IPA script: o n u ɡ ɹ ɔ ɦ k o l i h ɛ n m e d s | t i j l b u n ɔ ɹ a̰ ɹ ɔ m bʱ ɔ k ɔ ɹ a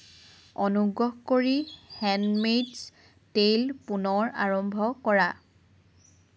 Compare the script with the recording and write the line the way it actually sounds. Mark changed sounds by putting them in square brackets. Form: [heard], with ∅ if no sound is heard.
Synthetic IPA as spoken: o n u ɡ ɹ ɔ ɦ k o [ɹ] i h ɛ n m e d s | t [e] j l [p] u n ɔ ɹ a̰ ɹ ɔ m bʱ ɔ k ɔ ɹ a